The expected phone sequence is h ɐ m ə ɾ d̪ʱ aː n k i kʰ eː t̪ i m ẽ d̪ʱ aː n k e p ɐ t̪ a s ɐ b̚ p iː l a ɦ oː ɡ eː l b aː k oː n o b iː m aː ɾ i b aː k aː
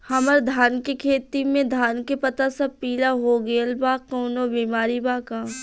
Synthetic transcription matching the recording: h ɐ m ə ɾ d̪ʱ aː n k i kʰ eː t̪ i m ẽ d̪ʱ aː n k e p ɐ t̪ a s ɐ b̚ p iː l a ɦ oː ɡ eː l b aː k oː n o b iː m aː ɾ i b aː k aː